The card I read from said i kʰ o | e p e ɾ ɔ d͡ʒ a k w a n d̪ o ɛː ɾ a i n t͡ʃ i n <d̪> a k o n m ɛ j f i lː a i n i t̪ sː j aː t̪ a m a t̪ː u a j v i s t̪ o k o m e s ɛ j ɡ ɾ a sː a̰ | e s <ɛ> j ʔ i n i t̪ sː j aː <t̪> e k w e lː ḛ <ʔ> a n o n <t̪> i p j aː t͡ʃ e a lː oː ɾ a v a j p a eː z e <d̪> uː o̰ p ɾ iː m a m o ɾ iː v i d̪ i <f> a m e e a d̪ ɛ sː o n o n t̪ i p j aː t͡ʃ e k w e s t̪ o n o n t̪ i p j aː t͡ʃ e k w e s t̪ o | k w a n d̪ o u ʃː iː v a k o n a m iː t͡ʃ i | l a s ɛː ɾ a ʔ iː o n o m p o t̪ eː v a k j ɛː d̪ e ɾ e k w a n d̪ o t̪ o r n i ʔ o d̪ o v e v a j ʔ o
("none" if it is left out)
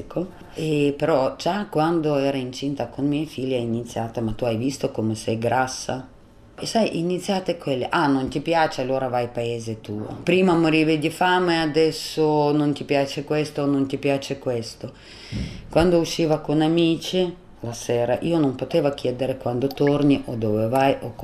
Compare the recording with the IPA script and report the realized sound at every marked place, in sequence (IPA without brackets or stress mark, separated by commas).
t̪, a, t̪, ʔ, t̪, t̪, f